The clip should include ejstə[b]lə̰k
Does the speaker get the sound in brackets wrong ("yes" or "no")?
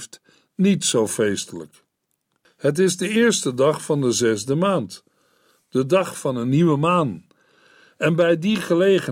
yes